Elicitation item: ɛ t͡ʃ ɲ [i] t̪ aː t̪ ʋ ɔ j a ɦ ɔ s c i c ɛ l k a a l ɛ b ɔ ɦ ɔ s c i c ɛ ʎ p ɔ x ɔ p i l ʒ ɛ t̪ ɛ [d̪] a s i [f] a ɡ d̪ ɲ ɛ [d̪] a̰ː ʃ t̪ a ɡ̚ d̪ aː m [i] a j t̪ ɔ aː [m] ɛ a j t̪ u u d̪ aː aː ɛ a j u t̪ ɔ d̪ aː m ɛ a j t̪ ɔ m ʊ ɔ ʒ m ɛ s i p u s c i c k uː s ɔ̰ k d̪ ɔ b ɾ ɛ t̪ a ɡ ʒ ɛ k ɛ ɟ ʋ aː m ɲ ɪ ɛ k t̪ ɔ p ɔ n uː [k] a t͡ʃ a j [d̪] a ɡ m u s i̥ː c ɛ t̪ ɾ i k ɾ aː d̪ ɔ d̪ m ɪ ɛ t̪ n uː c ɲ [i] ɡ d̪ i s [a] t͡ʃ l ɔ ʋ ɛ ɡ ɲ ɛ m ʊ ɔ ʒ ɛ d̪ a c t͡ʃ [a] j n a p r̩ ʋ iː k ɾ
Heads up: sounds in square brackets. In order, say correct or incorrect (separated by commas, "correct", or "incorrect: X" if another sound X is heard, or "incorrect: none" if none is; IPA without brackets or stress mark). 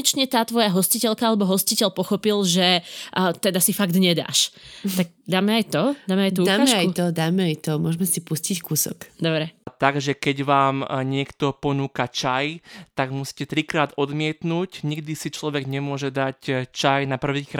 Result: incorrect: ɛ, correct, correct, correct, incorrect: ɛ, correct, correct, incorrect: t̪, correct, incorrect: i, correct